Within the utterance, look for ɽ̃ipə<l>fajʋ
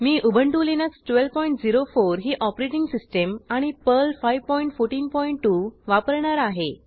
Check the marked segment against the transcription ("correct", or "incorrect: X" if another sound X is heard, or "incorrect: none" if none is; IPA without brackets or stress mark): correct